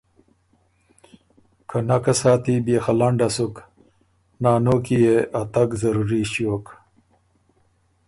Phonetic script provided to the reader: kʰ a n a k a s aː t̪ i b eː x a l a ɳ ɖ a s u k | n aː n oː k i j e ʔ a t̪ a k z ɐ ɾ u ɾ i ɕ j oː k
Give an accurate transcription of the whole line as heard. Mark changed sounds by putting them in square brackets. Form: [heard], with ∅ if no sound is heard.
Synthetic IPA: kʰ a n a k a s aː t̪ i b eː x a l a ɳ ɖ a s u k | n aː n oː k i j e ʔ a t̪ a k z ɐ ɾ u ɾ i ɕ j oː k